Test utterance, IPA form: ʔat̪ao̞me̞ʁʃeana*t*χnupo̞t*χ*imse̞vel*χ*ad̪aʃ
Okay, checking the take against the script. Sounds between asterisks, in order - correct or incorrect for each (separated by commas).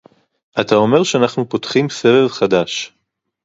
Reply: incorrect, correct, correct